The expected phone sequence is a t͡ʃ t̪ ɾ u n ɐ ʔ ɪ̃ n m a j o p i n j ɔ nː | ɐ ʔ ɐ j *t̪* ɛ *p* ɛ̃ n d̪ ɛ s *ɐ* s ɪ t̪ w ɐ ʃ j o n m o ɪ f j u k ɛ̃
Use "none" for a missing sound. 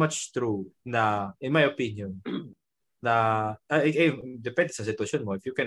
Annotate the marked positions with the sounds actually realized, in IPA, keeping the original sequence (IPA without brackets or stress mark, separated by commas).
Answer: d̪, p, ɐ